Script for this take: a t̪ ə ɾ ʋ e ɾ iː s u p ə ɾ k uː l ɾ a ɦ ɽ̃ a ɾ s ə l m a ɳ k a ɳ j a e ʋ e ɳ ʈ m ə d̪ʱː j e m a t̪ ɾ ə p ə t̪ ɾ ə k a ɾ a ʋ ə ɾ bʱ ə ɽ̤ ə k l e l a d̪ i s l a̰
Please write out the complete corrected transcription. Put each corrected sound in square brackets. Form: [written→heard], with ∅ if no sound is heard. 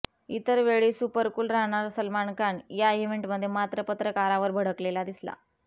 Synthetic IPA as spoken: [a→i] t̪ ə ɾ ʋ e [ɾ→ɭ] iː s u p ə ɾ k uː l ɾ a ɦ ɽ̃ a ɾ s ə l m a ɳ k a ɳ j a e ʋ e ɳ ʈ m ə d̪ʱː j e m a t̪ ɾ ə p ə t̪ ɾ ə k a ɾ a ʋ ə ɾ bʱ ə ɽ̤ ə k l e l a d̪ i s l a̰